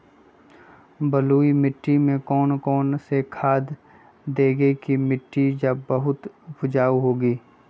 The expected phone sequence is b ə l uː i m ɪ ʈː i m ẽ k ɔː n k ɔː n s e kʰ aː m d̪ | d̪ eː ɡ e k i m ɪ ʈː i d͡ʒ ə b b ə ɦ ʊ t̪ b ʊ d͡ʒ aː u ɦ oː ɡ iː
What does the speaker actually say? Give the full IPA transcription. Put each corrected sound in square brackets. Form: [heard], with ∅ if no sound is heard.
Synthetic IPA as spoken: b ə l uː i m ɪ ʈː i m ẽ k ɔː n k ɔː n s e kʰ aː [∅] d̪ | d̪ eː ɡ e k i m ɪ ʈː i d͡ʒ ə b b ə ɦ ʊ t̪ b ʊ d͡ʒ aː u ɦ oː ɡ iː